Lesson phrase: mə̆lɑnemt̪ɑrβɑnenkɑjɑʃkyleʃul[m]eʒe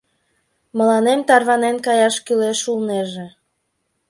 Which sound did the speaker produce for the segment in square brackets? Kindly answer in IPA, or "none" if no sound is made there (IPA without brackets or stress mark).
n